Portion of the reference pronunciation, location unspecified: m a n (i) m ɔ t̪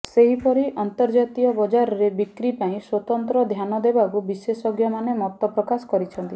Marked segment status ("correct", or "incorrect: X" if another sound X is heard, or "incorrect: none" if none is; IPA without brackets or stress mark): incorrect: e